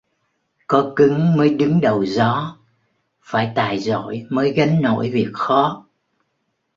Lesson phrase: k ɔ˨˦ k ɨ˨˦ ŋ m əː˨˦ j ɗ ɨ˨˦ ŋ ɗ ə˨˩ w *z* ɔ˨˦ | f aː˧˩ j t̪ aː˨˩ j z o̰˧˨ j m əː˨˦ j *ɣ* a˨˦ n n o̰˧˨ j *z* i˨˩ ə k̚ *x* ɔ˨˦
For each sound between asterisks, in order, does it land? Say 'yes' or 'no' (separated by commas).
yes, yes, no, yes